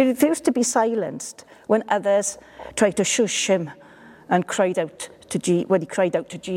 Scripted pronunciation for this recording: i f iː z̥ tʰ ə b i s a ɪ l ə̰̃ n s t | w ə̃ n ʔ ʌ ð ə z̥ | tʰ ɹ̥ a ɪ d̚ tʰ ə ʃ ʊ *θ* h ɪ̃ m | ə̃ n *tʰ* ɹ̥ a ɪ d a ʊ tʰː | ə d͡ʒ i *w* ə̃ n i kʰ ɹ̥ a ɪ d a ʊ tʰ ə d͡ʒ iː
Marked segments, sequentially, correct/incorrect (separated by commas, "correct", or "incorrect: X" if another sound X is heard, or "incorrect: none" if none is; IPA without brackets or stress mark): incorrect: ʃ, incorrect: kʰ, correct